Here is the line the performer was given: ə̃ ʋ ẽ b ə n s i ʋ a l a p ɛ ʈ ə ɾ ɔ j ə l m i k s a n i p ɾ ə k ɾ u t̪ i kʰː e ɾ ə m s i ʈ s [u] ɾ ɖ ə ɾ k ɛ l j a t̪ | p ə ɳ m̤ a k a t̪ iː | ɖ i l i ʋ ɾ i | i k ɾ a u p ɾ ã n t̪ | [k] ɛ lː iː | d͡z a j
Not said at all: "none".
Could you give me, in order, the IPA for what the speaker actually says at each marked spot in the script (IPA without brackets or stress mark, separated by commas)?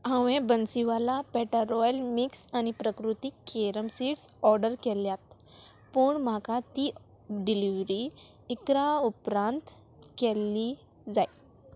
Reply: ɔ, k